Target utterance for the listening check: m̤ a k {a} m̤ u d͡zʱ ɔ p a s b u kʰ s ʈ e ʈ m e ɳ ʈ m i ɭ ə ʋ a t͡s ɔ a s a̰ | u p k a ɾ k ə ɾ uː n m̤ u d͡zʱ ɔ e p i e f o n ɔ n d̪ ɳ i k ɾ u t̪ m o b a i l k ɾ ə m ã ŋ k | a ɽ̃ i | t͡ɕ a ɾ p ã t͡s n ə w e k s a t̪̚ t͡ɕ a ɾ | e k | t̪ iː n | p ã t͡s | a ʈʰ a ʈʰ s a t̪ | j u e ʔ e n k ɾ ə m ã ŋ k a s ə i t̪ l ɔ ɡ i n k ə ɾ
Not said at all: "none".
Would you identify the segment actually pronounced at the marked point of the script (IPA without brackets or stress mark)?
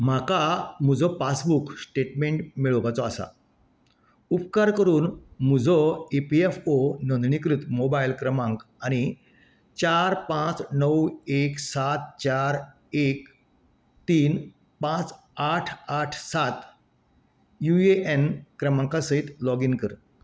a